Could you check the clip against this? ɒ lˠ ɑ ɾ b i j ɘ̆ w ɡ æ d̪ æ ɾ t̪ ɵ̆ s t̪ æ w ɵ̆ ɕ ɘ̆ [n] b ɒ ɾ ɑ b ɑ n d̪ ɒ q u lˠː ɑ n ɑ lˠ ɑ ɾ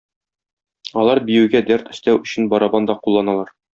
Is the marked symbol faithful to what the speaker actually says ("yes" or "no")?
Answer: yes